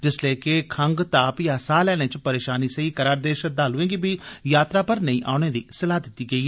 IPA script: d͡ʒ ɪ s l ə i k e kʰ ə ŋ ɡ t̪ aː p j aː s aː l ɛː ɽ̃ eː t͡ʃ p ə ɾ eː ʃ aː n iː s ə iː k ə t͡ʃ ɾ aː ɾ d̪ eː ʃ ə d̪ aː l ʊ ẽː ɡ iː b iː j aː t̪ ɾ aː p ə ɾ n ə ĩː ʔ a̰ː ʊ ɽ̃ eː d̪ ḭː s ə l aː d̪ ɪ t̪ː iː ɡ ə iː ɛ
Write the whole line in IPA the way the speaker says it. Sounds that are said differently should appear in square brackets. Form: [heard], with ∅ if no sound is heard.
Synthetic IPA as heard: d͡ʒ ɪ s l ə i k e kʰ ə ŋ ɡ t̪ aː p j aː s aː l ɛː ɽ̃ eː t͡ʃ p ə ɾ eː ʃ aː n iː s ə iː k ə [∅] ɾ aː ɾ d̪ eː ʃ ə d̪ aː l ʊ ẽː ɡ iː b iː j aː t̪ ɾ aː p ə ɾ n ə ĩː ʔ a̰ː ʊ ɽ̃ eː d̪ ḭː s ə l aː d̪ ɪ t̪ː iː ɡ ə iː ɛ